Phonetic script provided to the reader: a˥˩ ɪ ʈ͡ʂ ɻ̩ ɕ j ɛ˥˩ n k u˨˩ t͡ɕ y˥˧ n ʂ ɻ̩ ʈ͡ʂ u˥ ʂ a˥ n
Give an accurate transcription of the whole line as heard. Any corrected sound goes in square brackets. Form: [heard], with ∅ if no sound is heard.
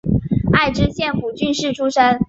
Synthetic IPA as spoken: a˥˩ ɪ ʈ͡ʂ ɻ̩ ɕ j ɛ˥˩ n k u˨˩ t͡ɕ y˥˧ n ʂ ɻ̩ [ʈ͡ʂʰ] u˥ ʂ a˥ n